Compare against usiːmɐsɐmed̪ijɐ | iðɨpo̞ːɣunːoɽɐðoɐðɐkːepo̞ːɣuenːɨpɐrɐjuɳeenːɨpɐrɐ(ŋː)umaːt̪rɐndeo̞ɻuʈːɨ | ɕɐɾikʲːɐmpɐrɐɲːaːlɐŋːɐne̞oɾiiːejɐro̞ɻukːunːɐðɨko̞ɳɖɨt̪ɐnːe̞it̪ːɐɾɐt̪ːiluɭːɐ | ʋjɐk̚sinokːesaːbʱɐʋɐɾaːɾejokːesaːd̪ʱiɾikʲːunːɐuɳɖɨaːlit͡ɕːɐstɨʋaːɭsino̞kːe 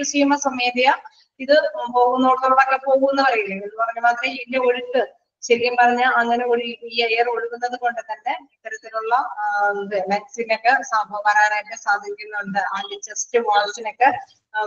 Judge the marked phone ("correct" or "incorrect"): incorrect